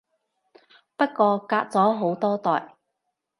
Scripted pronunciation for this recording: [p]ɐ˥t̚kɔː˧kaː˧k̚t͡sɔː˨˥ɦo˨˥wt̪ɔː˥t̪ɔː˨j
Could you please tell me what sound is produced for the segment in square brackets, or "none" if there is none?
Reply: p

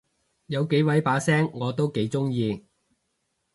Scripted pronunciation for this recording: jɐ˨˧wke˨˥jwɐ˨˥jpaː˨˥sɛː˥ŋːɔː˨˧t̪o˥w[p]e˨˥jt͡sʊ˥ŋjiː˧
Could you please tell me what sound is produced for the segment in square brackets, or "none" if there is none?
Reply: k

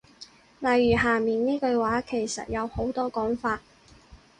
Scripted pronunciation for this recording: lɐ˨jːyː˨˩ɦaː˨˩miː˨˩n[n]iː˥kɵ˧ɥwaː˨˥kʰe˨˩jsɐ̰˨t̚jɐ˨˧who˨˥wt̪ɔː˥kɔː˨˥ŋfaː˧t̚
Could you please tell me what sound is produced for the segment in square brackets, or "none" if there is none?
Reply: n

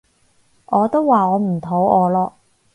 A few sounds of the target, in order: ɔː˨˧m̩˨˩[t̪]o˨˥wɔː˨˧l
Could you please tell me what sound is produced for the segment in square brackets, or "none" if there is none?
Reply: t̪ʰ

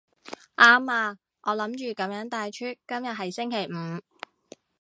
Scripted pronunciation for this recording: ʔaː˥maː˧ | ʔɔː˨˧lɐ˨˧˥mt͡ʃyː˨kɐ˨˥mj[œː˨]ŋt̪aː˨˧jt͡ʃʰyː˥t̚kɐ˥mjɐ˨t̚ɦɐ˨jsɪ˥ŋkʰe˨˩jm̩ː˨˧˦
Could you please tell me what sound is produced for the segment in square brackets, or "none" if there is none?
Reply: œː˨˥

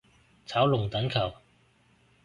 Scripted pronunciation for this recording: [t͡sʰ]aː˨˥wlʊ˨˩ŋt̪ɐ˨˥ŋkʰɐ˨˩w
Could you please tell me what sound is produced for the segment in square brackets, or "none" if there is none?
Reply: t͡sʰ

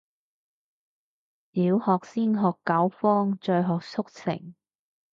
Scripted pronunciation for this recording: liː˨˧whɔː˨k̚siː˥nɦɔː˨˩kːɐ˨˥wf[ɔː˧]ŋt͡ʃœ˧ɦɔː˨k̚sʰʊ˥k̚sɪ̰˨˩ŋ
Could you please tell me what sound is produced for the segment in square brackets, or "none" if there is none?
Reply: ɔː˥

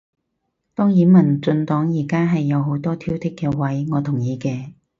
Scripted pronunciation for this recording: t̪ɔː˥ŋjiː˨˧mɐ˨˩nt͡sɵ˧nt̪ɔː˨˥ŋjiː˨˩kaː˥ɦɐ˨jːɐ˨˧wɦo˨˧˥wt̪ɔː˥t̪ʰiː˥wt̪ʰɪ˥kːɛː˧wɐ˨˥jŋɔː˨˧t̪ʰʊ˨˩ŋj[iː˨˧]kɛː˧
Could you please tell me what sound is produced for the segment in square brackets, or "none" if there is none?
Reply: iː˨˧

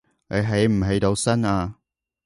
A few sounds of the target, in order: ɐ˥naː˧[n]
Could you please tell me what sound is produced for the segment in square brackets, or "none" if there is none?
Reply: none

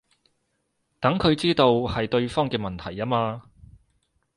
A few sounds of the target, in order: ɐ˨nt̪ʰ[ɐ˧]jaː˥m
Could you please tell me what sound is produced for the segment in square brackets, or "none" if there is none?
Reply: ɐ˨˩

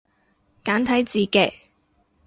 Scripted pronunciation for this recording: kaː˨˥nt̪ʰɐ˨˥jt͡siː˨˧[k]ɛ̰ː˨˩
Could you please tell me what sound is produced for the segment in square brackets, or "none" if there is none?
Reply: k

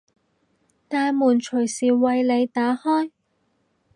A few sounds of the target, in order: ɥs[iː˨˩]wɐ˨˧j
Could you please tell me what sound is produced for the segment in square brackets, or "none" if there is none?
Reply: iː˨˩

